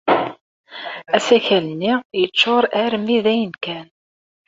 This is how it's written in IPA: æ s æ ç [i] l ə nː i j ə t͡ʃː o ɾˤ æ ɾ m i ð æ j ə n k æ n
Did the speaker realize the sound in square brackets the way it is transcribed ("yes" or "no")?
no